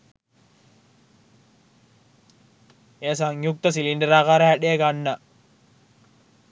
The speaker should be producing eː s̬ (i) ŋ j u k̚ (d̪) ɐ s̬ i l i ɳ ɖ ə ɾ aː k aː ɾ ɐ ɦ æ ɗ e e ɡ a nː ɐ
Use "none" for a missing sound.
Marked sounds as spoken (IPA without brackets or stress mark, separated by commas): a, t̪